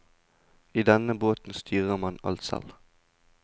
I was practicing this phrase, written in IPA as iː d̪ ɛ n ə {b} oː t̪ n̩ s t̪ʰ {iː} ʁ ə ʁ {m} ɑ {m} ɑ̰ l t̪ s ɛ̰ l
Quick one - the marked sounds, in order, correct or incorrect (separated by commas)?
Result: correct, incorrect, correct, incorrect